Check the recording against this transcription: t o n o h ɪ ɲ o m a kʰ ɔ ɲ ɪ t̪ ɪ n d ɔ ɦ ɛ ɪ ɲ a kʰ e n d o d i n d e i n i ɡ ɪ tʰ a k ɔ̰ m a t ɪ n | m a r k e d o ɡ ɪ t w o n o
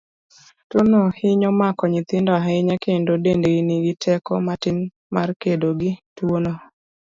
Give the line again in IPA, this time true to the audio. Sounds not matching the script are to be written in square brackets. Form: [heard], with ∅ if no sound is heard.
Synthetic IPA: t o n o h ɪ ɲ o m a [k] ɔ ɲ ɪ t̪ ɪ n d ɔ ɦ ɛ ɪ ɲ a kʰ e n d o d [e] n d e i n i ɡ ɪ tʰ [ɛ] k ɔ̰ m a t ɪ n | m a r k e d o ɡ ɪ t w o n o